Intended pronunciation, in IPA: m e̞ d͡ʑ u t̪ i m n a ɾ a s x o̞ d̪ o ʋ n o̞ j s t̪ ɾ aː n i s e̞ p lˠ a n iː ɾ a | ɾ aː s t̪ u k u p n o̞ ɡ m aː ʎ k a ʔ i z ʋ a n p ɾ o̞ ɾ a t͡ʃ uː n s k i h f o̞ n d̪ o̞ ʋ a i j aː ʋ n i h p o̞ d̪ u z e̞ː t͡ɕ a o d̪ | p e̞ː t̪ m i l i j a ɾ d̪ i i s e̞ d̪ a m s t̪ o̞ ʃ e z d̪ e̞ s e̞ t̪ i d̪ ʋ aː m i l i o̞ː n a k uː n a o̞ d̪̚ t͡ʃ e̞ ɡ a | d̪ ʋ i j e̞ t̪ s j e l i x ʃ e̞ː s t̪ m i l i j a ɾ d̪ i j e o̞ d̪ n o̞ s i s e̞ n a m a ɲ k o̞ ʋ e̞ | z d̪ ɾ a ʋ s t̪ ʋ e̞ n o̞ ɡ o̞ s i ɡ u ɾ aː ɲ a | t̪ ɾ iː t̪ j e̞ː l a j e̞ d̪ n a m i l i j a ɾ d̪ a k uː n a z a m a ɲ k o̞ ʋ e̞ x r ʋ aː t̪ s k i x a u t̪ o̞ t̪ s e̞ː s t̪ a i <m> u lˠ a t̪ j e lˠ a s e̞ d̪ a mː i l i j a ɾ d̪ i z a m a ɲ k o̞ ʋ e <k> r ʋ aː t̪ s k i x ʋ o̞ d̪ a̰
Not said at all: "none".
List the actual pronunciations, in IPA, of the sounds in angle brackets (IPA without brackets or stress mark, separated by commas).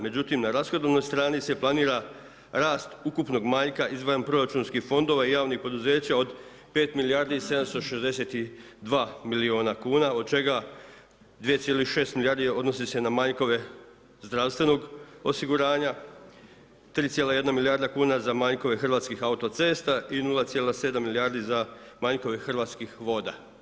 n, x